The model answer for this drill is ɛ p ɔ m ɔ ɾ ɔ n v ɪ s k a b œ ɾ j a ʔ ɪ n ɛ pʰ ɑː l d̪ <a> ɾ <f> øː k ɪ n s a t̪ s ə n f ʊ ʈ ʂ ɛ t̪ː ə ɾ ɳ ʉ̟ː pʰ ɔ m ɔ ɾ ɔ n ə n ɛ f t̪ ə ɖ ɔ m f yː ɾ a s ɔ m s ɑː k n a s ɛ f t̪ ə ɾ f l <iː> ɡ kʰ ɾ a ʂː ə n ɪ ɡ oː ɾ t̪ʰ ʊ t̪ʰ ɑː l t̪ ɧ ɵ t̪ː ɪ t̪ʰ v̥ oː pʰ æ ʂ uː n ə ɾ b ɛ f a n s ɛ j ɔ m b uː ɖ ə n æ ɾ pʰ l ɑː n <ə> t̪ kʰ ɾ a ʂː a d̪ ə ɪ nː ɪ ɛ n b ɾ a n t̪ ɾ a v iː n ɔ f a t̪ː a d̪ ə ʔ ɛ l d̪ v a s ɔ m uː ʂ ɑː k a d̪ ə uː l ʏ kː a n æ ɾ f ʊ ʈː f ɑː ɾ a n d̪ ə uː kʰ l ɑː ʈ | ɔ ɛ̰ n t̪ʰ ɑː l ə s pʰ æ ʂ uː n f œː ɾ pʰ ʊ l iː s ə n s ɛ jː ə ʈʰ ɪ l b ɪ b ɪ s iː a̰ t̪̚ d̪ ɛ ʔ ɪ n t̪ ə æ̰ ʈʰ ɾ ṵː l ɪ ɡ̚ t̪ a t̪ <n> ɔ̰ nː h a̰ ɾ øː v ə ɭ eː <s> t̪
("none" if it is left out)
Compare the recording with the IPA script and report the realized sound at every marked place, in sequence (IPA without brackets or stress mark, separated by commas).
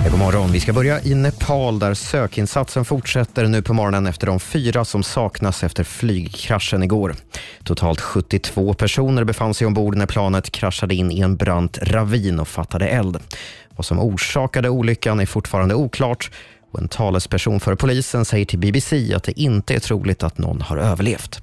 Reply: æ, s, yː, ə, n, f